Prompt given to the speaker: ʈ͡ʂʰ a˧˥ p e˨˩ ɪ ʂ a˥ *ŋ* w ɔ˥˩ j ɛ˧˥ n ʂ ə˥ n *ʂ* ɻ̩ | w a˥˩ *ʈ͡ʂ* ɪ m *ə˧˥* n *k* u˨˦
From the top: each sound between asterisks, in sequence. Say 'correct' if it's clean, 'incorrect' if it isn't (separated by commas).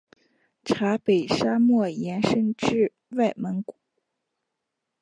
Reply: incorrect, incorrect, incorrect, correct, correct